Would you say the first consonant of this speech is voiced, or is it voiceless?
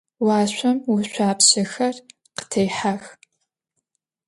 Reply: voiced